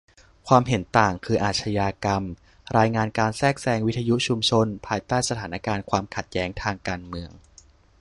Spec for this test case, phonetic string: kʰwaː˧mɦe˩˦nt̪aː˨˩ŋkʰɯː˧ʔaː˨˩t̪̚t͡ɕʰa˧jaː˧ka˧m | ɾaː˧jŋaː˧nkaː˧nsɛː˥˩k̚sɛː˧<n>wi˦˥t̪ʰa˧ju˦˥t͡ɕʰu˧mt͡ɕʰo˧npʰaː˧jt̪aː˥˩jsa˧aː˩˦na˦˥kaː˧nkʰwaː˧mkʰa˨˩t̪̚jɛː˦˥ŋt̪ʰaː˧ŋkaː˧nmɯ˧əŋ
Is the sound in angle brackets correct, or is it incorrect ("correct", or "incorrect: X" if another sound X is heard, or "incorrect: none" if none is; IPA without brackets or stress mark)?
incorrect: ŋ